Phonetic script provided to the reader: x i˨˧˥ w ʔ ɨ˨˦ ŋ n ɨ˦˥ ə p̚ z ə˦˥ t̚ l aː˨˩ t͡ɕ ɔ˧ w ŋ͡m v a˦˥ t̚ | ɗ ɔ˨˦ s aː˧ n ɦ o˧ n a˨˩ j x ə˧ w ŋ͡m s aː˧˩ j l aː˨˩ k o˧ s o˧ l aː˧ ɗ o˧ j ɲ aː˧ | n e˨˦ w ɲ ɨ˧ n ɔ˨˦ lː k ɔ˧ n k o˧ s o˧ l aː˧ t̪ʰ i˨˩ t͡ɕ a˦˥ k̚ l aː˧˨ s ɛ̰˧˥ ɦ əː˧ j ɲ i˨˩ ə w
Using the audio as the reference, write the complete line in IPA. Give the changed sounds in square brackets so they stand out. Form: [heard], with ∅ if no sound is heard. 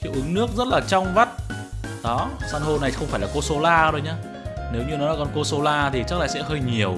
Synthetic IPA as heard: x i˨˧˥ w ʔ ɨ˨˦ ŋ n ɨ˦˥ ə [k̚] z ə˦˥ t̚ l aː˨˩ t͡ɕ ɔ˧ w ŋ͡m v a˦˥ t̚ | ɗ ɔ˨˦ s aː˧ n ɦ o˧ n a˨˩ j x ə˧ w ŋ͡m [f] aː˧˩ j l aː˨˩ k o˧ s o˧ l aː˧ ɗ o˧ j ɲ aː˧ | n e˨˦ w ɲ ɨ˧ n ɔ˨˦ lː k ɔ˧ n k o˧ s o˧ l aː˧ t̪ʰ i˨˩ t͡ɕ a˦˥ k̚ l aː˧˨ s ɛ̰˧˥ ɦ əː˧ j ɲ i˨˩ ə w